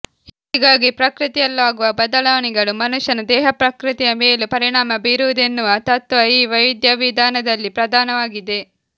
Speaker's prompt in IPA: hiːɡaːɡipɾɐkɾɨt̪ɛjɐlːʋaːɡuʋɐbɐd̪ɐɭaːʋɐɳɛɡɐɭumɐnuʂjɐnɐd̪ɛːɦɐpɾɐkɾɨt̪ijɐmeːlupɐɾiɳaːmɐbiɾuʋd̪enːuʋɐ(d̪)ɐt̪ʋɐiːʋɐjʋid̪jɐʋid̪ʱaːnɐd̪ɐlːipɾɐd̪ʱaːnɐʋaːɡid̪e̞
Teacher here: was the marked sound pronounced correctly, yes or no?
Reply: no